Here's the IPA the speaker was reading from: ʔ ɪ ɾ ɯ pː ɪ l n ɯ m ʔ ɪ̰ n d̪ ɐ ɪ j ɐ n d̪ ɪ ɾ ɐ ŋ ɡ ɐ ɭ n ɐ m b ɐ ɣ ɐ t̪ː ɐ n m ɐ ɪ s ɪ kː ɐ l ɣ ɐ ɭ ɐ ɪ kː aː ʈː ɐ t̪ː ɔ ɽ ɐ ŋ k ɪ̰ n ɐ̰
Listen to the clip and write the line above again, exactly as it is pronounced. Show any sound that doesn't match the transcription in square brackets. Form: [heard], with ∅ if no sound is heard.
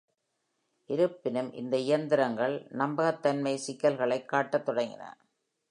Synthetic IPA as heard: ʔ ɪ ɾ ɯ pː ɪ [∅] n ɯ m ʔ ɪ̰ n d̪ ɐ ɪ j ɐ n d̪ ɪ ɾ ɐ ŋ ɡ ɐ ɭ n ɐ m b ɐ ɣ ɐ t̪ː ɐ n m ɐ ɪ s ɪ kː ɐ l ɣ ɐ ɭ ɐ ɪ kː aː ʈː ɐ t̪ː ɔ ɽ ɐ ŋ [ɡ] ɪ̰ n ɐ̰